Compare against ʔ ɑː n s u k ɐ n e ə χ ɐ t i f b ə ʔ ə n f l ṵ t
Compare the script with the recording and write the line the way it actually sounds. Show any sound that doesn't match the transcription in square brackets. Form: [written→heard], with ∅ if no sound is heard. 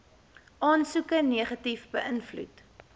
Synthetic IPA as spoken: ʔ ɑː n s u k [ɐ→ə] n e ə χ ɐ t i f b ə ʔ ə n f l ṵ t